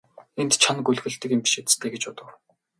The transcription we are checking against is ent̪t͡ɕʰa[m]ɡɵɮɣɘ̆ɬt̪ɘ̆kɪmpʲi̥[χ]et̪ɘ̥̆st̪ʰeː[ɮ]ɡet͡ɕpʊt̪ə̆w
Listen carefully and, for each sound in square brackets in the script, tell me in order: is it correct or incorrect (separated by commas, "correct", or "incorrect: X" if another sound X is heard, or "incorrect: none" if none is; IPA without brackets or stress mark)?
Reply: incorrect: n, incorrect: ʃ, incorrect: none